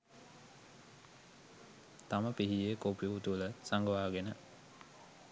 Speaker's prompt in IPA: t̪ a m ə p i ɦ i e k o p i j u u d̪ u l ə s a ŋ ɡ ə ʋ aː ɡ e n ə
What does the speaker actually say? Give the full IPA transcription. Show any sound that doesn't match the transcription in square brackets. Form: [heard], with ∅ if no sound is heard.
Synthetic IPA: t̪ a m ə p i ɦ i e k o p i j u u [t̪] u l ə s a ŋ ɡ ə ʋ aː ɡ e n ə

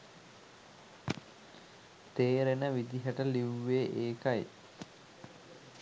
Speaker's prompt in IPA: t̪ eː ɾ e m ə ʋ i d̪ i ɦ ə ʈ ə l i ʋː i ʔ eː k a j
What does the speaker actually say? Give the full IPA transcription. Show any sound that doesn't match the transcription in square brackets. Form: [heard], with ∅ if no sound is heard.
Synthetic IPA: t̪ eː ɾ e [n] ə ʋ i d̪ i ɦ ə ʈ ə l i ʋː [e] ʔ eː k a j

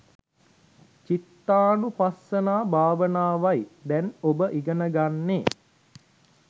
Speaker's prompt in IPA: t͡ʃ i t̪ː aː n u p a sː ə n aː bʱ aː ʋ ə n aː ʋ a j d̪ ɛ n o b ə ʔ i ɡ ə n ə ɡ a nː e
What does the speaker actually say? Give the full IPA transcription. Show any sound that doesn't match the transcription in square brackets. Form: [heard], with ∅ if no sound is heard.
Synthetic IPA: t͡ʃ i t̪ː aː n u p a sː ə n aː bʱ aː ʋ ə n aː ʋ a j d̪ ɛ n o b ə ʔ i ɡ ə n ə ɡ a nː e

